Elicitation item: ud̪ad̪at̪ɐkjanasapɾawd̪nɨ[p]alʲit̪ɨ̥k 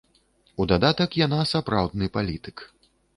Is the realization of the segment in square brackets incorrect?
no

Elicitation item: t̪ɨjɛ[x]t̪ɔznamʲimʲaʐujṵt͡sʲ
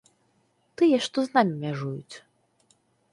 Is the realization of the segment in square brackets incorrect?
yes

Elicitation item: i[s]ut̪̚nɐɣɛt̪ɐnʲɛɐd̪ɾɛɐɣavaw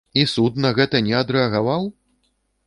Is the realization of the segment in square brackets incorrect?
no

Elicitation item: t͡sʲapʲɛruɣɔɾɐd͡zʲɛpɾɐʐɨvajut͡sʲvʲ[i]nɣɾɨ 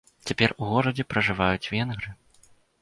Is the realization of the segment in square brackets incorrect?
yes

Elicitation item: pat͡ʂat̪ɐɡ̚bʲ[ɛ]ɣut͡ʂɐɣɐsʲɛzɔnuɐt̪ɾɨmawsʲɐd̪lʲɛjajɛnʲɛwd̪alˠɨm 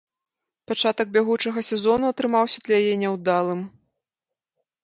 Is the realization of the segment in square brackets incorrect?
yes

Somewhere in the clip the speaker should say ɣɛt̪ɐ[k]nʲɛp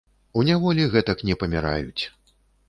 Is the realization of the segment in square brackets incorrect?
no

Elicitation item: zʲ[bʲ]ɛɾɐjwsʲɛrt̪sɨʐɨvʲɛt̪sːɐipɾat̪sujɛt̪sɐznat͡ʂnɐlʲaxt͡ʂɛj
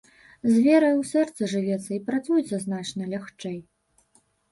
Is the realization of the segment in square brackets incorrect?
yes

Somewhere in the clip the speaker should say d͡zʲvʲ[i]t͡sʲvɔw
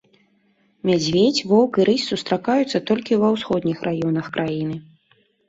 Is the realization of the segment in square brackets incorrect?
yes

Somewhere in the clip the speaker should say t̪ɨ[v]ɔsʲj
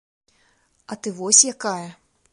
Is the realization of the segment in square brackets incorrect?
no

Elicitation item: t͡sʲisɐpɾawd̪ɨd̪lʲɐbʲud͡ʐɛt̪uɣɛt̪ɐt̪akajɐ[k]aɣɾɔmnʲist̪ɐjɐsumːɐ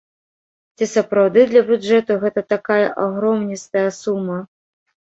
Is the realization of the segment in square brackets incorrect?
yes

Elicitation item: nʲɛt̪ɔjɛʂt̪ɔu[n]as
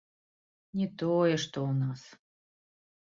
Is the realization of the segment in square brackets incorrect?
no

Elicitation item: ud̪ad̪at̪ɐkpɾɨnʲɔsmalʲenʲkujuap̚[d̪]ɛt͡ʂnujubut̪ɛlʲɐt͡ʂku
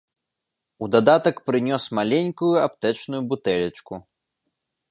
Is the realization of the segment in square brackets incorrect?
yes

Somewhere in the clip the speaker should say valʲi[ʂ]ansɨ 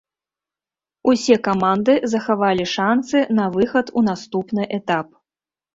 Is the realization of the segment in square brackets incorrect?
no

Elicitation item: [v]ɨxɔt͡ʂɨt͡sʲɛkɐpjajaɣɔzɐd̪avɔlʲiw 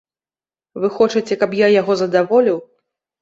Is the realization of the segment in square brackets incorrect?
no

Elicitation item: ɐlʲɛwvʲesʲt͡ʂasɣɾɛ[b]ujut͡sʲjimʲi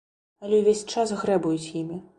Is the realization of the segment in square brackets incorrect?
no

